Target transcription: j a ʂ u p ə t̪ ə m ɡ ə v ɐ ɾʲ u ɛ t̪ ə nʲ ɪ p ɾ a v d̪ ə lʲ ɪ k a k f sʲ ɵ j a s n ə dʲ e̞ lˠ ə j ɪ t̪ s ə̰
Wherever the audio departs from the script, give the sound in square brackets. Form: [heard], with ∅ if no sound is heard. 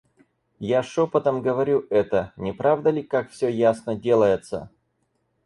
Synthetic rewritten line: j a ʂ [o] p ə t̪ ə m ɡ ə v ɐ ɾʲ u ɛ t̪ ə nʲ ɪ p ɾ a v d̪ ə lʲ ɪ k a k f sʲ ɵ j a s n ə dʲ e̞ lˠ ə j ɪ t̪ s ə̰